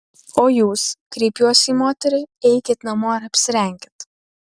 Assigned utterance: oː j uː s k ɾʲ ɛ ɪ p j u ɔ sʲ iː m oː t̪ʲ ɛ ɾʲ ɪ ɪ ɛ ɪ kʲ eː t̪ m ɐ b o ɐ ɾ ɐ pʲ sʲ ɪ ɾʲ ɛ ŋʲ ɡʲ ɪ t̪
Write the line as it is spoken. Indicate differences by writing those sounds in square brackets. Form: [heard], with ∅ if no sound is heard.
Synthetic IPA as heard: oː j uː s k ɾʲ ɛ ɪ p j u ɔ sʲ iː m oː t̪ʲ ɛ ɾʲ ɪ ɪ ɛ ɪ kʲ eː t̪ [n] ɐ [m] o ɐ ɾ ɐ pʲ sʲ ɪ ɾʲ ɛ ŋʲ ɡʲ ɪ t̪